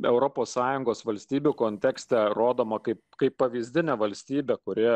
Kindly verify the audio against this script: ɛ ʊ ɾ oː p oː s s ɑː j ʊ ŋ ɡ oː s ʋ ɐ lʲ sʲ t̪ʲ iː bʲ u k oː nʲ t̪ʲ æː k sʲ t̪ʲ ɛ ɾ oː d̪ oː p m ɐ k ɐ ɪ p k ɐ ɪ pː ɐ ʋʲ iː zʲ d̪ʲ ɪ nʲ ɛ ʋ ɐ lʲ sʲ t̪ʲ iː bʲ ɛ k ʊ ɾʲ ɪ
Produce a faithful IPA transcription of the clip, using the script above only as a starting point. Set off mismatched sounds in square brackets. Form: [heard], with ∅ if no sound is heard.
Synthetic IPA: ɛ ʊ ɾ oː p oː s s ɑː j ʊ ŋ ɡ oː s ʋ ɐ lʲ sʲ t̪ʲ iː bʲ u k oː nʲ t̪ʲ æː k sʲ t̪ʲ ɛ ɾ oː d̪ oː [∅] m ɐ k ɐ ɪ p k ɐ ɪ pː ɐ ʋʲ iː zʲ d̪ʲ ɪ nʲ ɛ ʋ ɐ lʲ sʲ t̪ʲ iː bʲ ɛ k ʊ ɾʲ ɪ